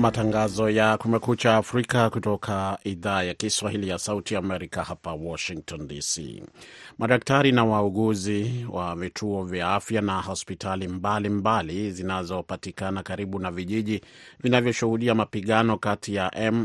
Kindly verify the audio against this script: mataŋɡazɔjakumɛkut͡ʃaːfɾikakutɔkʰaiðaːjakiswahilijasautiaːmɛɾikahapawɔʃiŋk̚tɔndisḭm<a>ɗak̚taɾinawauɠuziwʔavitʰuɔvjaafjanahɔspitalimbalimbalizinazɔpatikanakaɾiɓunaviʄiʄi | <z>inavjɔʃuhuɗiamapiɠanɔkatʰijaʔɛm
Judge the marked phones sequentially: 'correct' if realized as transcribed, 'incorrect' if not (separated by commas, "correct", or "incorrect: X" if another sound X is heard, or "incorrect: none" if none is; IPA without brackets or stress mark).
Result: correct, incorrect: v